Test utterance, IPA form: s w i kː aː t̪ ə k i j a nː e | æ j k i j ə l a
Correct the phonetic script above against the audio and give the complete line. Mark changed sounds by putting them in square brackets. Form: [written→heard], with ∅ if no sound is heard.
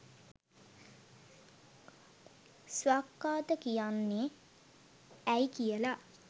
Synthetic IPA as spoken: s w [i→a] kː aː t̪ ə k i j a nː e | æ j k i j ə l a